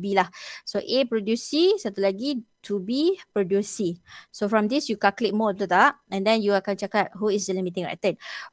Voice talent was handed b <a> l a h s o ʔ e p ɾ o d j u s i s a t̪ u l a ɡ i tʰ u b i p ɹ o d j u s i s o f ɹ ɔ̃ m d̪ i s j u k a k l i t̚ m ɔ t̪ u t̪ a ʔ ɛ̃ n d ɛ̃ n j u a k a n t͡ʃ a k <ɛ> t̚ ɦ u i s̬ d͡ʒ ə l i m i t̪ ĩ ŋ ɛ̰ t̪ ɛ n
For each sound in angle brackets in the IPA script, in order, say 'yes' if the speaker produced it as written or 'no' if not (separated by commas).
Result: no, no